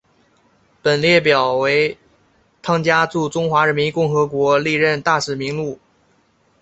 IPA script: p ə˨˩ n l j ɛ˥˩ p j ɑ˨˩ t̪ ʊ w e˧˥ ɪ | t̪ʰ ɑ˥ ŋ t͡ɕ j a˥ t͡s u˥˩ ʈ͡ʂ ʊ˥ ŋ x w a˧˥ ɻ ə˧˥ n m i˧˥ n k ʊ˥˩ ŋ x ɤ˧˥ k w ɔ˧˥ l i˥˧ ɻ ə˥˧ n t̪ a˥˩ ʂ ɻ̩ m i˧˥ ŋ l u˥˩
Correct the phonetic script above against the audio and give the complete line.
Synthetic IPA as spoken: p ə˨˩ n l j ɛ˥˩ p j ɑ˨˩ ʊ w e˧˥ ɪ | t̪ʰ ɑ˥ ŋ t͡ɕ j a˥ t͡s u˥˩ ʈ͡ʂ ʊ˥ ŋ x w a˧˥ ɻ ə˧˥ n m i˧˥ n k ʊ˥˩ ŋ x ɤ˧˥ k w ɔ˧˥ l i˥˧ ɻ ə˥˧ n t̪ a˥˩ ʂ ɻ̩ m i˧˥ ŋ l u˥˩